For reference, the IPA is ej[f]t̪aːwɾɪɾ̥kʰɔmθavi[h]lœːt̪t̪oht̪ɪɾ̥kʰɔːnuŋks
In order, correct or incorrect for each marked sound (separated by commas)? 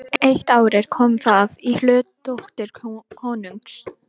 incorrect, correct